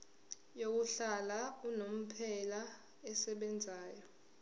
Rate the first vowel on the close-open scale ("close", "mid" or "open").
mid